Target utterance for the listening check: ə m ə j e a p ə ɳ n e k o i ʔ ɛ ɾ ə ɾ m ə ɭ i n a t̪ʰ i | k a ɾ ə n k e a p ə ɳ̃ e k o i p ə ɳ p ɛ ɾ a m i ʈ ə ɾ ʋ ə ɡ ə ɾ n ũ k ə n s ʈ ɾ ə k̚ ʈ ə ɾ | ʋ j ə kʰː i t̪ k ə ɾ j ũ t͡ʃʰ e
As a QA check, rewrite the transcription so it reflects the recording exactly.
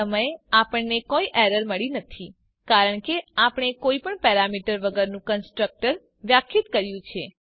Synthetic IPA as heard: ə m ə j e a p ə ɳ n e k o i ʔ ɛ ɾ ə ɾ m ə ɭ i n ə t̪ʰ i | k a ɾ ə ɳ k e a p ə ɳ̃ e k o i p ə ɳ p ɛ ɾ a m i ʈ ə ɾ ʋ ə ɡ ə ɾ n ũ k ə n s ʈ ɾ ə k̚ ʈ ə ɾ | ʋ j a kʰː i t̪ k ə ɾ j ũ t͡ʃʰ e